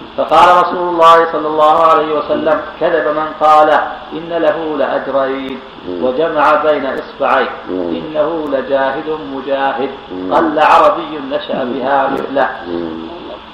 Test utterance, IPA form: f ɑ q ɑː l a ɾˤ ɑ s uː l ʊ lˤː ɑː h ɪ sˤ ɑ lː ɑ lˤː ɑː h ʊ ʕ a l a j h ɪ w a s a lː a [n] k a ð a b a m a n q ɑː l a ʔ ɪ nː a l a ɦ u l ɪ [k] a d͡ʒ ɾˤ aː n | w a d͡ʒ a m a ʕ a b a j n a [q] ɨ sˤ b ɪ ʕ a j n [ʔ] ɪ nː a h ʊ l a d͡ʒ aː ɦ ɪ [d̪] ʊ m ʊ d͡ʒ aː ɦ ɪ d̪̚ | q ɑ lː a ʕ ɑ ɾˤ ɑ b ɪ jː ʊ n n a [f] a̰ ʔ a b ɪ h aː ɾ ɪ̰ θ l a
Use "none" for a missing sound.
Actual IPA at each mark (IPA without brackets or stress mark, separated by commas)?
m, ʔ, ʔ, ʔ, d̪, ʃ